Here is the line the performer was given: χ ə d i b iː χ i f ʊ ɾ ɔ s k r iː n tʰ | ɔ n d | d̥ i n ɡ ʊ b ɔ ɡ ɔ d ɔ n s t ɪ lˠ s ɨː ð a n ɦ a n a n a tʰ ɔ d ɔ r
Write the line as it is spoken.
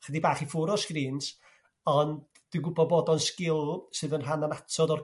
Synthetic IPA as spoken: χ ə d i b aː χ i f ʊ ɾ ɔ s k r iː n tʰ | ɔ n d | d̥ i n ɡ ʊ b ɔ b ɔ d ɔ n s k ɪ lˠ s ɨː ð ə n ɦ a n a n a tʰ ɔ d ɔ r